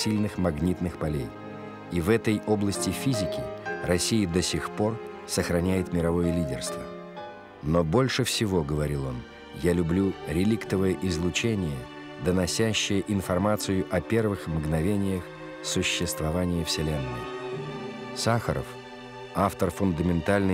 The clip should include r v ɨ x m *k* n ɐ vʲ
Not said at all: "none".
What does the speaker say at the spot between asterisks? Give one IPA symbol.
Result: ɡ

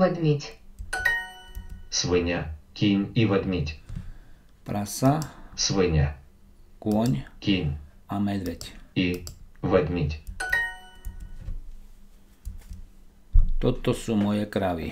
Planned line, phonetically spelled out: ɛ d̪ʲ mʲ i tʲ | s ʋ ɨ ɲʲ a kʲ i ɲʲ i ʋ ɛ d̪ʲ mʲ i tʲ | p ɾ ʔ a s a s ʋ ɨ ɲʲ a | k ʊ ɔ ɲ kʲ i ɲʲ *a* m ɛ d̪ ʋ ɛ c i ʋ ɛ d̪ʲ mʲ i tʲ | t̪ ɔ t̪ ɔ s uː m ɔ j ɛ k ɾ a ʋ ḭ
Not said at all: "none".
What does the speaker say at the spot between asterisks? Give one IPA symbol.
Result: a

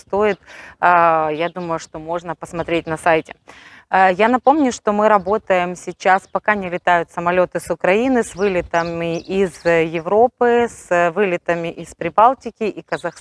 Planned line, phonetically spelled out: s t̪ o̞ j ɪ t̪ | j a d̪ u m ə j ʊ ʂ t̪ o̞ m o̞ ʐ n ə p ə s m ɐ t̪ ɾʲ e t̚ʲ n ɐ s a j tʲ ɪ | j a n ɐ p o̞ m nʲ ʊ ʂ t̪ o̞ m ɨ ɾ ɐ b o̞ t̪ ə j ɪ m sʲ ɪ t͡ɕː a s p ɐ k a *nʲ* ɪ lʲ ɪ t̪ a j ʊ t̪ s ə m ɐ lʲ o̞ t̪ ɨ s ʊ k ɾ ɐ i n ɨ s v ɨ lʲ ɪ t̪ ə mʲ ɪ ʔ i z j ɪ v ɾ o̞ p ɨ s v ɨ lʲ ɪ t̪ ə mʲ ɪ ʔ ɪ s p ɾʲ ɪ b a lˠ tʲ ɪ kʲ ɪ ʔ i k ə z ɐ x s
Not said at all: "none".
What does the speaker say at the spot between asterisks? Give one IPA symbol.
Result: nʲ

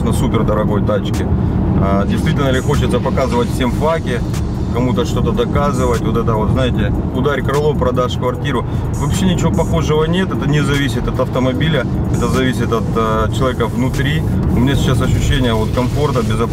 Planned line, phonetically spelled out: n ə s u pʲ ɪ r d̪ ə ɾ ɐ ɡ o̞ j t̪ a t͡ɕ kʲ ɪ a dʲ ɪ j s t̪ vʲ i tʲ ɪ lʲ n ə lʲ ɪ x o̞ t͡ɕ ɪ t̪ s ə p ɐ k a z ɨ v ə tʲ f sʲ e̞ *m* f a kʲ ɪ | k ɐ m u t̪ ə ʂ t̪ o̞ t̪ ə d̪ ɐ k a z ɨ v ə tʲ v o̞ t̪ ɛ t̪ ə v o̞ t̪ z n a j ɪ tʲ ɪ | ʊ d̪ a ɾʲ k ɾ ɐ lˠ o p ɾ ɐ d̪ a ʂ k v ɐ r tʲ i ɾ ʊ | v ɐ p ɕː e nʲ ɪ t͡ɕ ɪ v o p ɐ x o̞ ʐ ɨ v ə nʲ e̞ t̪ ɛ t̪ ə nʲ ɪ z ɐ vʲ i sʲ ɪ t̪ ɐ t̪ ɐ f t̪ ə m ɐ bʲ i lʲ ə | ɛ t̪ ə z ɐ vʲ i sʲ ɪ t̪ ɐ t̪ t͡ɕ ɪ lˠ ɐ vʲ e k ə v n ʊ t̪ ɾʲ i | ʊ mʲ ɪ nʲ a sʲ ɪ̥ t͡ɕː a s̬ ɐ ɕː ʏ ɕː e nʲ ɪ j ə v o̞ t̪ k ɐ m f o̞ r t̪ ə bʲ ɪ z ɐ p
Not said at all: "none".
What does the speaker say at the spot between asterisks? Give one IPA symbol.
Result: m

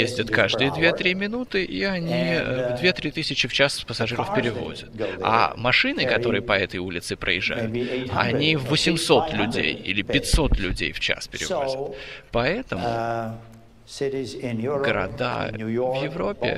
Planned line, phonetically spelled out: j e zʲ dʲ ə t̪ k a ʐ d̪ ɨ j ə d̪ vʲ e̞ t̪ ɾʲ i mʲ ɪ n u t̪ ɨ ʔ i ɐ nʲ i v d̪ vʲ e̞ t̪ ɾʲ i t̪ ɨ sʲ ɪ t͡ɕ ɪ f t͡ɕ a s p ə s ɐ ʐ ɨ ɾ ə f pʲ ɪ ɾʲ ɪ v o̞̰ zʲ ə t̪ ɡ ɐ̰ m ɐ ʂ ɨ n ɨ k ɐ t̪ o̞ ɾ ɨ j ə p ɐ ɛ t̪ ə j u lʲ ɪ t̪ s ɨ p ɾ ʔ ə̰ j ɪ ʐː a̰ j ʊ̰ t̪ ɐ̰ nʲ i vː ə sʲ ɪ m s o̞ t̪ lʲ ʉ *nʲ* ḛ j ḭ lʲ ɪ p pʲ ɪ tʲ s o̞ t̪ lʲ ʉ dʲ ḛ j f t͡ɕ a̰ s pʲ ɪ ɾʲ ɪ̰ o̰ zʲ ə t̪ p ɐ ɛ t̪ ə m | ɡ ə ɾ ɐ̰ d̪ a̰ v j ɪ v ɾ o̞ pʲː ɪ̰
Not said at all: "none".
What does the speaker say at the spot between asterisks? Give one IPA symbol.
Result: dʲ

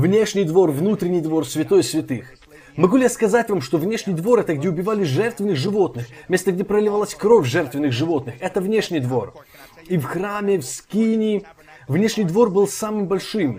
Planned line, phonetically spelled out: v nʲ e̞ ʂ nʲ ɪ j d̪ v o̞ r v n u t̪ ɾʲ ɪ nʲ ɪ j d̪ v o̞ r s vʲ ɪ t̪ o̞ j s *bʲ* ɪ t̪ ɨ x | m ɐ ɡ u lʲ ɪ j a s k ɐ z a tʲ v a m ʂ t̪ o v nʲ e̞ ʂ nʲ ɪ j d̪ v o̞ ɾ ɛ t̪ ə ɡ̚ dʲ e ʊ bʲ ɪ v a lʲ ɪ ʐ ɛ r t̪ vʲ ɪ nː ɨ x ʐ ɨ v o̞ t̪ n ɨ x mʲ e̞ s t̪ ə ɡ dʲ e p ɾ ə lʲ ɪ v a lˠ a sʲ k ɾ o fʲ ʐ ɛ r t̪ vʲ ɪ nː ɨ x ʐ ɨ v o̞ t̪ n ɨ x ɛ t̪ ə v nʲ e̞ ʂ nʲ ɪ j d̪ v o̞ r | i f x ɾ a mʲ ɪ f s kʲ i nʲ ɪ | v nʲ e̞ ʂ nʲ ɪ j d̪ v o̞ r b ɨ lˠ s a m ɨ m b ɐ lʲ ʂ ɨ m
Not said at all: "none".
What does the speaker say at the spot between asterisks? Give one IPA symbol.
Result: vʲ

